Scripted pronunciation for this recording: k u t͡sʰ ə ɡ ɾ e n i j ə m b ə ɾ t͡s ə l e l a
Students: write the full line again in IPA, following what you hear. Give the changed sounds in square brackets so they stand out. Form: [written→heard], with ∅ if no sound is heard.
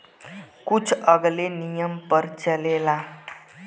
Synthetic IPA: k u t͡sʰ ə ɡ [ɾ→l] e n i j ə m [b→p] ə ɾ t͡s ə l e l a